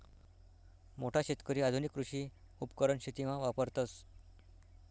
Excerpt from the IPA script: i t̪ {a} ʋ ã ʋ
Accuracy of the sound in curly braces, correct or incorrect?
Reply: incorrect